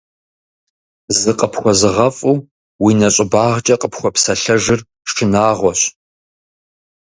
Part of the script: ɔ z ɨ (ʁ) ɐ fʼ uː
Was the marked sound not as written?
no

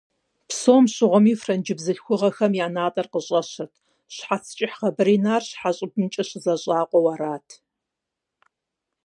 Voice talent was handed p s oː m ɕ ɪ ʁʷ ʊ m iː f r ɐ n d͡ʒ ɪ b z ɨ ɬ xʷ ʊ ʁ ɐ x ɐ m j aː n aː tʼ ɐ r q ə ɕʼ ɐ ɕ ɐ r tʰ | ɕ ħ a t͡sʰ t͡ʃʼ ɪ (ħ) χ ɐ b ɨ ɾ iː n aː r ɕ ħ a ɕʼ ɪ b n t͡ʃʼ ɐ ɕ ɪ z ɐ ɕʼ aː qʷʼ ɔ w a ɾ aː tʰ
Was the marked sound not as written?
no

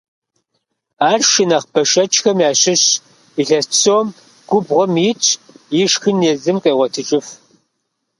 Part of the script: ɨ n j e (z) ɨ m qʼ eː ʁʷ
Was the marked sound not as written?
no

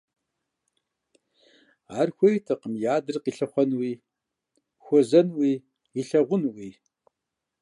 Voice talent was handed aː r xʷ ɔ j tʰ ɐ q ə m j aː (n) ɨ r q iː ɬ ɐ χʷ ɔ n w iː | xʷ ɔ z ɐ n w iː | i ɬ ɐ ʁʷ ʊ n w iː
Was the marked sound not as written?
yes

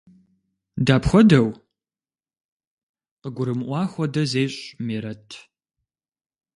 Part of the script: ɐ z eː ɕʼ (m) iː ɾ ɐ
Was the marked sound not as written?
no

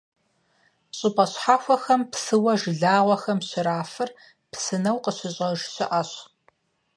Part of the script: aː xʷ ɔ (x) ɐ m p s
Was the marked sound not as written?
no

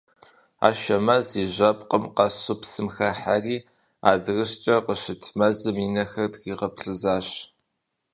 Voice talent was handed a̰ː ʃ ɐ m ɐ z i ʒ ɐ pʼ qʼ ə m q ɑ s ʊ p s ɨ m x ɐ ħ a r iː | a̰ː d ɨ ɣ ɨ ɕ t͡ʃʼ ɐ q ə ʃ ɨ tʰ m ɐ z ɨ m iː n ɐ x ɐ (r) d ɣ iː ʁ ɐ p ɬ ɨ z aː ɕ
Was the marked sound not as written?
no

